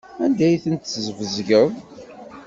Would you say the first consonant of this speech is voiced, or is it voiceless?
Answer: voiced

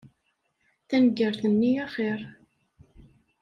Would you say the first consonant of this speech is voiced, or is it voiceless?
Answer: voiceless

